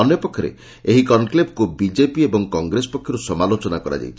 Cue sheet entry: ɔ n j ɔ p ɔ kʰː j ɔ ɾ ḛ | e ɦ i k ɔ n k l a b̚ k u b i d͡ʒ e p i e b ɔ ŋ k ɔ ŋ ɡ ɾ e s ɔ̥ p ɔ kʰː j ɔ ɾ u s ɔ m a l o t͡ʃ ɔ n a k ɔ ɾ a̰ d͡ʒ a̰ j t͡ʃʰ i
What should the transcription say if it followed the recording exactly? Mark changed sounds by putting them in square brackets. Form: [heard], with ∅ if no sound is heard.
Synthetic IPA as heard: ɔ n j ɔ p ɔ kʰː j ɔ ɾ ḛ | e ɦ i k ɔ n k l [e] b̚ k u b i d͡ʒ e p i e b ɔ ŋ k ɔ ŋ ɡ ɾ e s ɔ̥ p ɔ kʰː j ɔ ɾ u s ɔ m a l o t͡ʃ ɔ n a k ɔ ɾ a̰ d͡ʒ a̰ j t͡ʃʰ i